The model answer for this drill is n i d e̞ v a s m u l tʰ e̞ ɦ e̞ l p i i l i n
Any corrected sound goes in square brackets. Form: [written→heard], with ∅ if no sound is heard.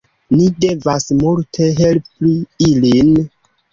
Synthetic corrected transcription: n i d e̞ v a s m u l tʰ e̞ ɦ e̞ l p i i l i n